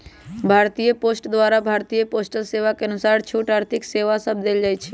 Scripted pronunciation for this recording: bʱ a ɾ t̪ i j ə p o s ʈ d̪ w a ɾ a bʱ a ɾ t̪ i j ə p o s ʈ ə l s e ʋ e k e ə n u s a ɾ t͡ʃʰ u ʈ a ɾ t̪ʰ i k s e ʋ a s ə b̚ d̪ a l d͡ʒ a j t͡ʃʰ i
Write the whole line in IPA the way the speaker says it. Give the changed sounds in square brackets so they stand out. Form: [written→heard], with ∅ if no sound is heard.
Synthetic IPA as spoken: bʱ a ɾ t̪ i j ə p o s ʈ d̪ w a ɾ a bʱ a ɾ t̪ i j ə p o s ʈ ə l s e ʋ [e→a] k e ə n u s a ɾ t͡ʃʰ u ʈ a ɾ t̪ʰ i k s e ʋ a s ə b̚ d̪ [a→e] l d͡ʒ a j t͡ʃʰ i